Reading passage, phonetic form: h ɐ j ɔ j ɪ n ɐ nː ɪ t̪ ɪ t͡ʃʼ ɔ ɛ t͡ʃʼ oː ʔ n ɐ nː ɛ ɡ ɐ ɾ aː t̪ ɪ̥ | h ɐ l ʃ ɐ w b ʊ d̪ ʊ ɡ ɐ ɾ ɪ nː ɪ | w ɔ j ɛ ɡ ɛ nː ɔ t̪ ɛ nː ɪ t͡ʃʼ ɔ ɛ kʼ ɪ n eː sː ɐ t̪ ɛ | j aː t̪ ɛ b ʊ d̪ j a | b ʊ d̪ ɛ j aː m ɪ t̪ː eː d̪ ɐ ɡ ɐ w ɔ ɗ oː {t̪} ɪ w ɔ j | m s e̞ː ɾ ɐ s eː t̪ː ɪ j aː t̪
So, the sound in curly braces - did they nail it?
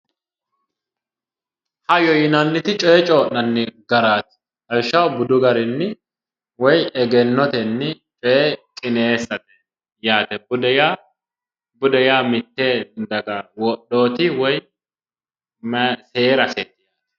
yes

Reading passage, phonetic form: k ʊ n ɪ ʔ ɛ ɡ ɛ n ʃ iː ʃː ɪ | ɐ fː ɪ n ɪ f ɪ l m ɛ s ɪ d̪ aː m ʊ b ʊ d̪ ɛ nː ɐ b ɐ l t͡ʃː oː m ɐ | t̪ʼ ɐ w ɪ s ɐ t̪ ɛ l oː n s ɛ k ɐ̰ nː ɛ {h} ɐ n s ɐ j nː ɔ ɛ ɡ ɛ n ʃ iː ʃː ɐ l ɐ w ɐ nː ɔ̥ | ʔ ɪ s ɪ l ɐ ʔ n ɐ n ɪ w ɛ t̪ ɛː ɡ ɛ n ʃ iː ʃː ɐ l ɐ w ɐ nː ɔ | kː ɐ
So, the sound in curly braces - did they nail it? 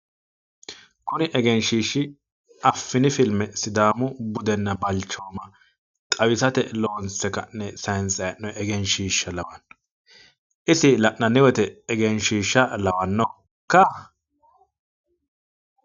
no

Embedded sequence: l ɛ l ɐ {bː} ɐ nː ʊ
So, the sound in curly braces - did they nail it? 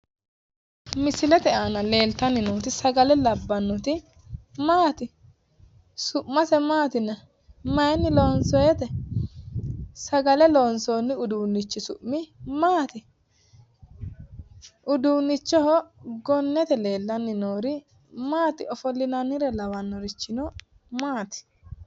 yes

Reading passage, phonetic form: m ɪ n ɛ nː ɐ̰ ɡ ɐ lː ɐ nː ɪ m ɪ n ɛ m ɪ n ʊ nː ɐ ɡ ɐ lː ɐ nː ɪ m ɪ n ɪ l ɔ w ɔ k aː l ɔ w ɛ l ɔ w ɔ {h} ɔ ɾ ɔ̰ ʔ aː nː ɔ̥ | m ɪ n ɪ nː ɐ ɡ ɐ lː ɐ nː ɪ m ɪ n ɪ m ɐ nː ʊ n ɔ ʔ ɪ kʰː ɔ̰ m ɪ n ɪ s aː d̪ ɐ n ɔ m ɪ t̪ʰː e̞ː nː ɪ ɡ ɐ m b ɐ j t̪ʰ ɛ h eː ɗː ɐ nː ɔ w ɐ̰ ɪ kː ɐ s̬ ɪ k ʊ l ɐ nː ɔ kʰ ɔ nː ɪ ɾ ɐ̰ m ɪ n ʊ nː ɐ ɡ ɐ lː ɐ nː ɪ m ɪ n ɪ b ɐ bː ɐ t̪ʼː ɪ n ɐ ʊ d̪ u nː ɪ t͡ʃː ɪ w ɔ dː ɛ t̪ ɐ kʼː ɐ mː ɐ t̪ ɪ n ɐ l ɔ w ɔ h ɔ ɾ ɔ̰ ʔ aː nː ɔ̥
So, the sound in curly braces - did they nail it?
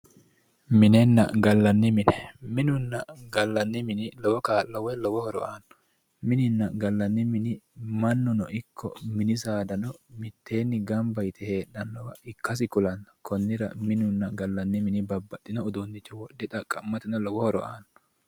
yes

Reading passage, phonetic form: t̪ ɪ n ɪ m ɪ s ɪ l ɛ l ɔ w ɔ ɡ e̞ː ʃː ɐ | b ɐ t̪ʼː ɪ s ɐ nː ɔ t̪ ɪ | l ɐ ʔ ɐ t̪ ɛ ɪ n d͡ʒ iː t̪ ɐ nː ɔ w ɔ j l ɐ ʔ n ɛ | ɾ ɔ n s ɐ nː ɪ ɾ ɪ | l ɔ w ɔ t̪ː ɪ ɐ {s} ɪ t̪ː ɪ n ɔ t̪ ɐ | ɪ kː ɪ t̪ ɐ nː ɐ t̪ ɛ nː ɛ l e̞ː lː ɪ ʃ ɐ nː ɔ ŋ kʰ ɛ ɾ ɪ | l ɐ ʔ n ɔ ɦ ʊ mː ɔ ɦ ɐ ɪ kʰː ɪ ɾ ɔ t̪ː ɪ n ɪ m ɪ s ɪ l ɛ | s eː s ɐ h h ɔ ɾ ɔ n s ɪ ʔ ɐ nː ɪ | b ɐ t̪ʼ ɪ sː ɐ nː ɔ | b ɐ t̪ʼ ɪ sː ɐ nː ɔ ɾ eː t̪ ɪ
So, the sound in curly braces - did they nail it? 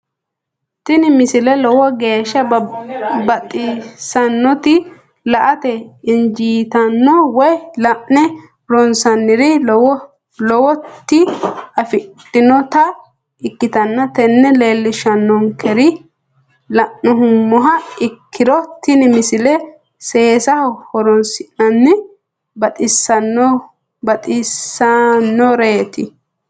no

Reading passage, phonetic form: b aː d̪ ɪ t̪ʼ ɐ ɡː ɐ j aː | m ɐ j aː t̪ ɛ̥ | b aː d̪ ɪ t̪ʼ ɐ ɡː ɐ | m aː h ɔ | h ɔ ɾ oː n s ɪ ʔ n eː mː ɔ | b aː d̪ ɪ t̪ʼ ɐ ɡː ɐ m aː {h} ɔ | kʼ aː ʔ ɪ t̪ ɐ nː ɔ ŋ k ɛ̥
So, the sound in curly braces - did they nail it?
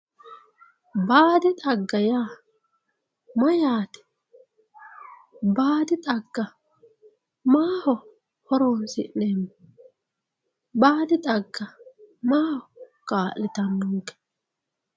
yes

